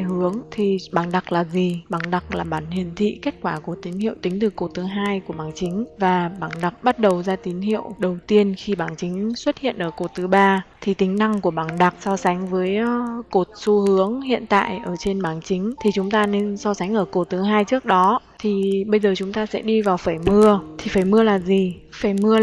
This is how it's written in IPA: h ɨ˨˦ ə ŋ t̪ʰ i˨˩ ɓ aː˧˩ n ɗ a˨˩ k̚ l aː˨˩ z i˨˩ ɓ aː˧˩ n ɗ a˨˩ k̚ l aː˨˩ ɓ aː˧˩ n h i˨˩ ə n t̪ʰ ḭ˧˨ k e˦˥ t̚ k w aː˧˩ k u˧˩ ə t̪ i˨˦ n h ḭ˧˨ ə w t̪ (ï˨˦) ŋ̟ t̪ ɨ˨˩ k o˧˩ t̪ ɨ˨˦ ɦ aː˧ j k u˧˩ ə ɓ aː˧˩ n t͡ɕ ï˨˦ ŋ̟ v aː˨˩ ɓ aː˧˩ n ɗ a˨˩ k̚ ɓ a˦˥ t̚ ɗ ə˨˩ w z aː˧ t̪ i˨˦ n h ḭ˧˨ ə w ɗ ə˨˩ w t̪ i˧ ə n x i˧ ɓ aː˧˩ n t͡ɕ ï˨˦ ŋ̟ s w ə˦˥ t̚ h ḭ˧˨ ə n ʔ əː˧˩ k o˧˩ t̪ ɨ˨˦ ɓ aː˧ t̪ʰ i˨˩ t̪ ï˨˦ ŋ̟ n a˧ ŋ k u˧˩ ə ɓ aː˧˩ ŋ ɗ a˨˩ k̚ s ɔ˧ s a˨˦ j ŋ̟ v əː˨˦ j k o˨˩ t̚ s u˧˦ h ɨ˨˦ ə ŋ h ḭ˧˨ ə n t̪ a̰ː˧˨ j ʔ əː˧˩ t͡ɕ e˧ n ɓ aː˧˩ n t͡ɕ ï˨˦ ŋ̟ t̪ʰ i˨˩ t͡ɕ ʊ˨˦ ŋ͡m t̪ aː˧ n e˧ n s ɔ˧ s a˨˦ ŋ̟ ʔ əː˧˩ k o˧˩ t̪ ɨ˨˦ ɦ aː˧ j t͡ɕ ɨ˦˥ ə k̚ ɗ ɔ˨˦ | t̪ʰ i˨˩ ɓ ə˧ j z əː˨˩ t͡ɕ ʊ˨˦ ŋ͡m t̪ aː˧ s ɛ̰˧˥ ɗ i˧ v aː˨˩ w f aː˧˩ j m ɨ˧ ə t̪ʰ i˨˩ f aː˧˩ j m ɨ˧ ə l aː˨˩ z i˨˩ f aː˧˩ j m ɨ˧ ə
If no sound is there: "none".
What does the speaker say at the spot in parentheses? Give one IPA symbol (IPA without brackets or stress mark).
ï˨˦